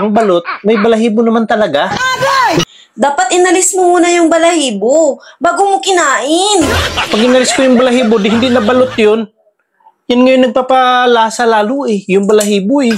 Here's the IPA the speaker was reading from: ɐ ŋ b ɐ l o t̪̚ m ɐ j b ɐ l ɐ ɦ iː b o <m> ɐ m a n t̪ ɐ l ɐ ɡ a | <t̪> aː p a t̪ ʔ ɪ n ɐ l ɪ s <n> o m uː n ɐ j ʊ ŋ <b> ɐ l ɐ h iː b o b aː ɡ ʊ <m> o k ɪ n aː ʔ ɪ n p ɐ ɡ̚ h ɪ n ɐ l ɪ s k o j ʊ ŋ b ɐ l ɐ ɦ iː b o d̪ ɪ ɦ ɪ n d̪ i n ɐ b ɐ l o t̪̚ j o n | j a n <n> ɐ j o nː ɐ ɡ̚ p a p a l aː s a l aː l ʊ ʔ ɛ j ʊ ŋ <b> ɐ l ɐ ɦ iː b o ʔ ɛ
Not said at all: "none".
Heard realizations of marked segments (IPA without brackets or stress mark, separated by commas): n, d̪, m, b, m, ŋ, b